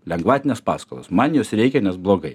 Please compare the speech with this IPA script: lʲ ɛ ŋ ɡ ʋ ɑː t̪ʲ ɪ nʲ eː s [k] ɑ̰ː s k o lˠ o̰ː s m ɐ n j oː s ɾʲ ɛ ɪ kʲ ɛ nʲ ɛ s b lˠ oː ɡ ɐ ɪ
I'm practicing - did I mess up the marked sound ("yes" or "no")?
yes